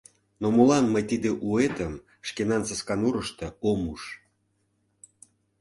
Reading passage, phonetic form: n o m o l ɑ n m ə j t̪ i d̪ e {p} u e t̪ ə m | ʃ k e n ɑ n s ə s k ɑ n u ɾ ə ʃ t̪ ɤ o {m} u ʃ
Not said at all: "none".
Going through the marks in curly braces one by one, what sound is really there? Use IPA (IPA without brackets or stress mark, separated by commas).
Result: ʔ, m